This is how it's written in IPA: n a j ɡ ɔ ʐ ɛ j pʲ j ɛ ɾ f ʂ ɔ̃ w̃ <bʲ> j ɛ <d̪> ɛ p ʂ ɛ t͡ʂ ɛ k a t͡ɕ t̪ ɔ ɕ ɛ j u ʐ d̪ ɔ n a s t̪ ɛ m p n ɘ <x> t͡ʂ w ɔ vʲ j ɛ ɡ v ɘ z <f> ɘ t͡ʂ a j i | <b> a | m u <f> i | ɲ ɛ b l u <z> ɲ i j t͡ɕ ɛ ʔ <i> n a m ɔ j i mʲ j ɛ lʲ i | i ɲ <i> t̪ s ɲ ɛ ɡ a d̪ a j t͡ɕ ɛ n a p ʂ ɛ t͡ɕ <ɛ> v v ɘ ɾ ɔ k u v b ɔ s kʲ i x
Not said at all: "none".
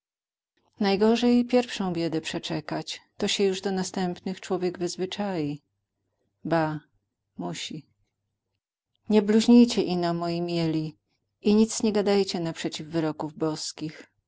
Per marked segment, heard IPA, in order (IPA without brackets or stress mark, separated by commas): bʲ, d̪, x, v, b, ɕ, ʑ, i, i, i